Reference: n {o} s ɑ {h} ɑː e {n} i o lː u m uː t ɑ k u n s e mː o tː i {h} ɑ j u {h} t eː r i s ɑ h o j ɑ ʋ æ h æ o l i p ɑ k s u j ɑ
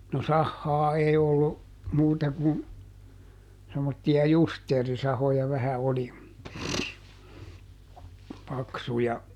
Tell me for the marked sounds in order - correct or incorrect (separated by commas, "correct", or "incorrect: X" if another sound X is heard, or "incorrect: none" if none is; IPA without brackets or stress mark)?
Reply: correct, incorrect: hː, incorrect: none, incorrect: none, incorrect: s